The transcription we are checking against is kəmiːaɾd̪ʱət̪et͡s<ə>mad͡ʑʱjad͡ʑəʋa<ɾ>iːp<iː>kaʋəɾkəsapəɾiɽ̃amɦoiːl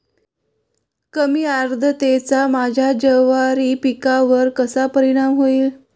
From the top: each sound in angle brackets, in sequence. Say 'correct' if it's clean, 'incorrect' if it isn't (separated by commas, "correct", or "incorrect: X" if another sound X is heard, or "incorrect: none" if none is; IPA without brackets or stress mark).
incorrect: a, correct, incorrect: i